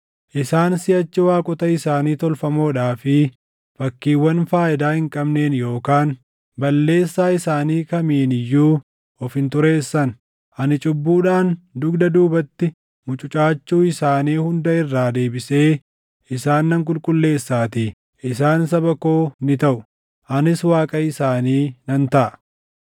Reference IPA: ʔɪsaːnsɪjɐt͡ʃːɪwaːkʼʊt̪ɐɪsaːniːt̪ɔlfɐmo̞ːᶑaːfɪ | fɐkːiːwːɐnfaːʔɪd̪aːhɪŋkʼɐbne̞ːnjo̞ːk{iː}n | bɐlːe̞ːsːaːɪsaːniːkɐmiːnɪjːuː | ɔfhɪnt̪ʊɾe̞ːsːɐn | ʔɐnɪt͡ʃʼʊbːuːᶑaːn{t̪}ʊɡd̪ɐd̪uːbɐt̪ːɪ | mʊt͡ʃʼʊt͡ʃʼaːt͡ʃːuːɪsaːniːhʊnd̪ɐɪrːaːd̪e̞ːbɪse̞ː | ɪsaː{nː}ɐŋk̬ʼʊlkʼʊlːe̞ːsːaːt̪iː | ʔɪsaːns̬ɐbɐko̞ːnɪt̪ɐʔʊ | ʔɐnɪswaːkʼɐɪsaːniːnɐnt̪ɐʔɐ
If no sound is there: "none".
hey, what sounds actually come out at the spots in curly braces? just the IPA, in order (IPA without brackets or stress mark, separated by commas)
aː, d̪, nː